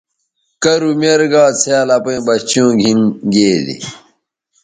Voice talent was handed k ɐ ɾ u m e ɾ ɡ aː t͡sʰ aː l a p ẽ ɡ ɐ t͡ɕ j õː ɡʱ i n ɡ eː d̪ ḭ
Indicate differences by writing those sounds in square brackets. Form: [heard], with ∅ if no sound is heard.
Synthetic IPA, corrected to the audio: k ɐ ɾ u m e ɾ ɡ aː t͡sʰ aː l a p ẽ [b] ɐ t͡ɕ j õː ɡʱ i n ɡ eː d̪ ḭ